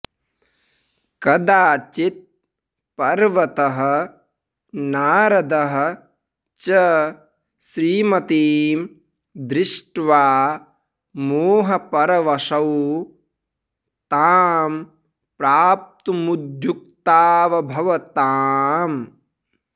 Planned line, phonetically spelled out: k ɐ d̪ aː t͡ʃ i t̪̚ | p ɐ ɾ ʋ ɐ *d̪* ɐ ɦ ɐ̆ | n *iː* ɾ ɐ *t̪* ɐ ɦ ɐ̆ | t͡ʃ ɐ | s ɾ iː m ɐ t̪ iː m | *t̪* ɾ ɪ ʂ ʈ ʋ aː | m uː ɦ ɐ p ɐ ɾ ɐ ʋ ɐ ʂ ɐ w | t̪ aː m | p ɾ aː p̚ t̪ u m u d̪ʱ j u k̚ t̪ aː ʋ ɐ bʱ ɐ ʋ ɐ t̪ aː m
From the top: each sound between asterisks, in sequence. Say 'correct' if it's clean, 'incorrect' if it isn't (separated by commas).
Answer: incorrect, incorrect, incorrect, incorrect